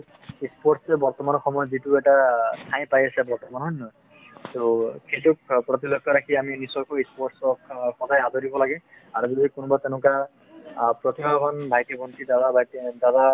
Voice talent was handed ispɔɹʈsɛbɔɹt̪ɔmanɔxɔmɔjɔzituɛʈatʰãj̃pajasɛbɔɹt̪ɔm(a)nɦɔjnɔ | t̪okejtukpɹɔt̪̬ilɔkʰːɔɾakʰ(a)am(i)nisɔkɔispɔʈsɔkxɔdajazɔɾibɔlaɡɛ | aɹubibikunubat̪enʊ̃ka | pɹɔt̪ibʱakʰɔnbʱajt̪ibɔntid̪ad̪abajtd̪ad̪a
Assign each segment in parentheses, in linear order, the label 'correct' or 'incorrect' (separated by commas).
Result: correct, incorrect, correct